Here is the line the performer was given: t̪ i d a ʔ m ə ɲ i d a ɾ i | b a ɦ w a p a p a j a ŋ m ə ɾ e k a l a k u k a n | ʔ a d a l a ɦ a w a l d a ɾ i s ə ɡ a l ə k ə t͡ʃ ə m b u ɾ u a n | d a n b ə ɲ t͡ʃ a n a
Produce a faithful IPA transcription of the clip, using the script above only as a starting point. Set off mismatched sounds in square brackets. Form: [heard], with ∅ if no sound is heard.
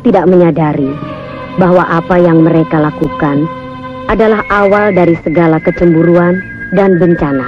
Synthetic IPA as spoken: t̪ i d a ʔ m ə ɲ [a] d a ɾ i | b a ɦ w a [ʔ] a p a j a ŋ m ə ɾ e k a l a k u k a n | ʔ a d a l a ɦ a w a l d a ɾ i s ə ɡ a l [a] k ə t͡ʃ ə m b u ɾ u a n | d a n b ə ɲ t͡ʃ a n a